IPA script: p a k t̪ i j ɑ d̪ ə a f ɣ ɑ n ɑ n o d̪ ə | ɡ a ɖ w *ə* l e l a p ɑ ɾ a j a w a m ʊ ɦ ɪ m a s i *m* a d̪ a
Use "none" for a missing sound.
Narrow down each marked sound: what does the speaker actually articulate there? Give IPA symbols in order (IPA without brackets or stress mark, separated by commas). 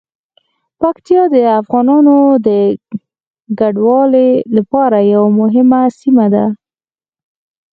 ɑ, m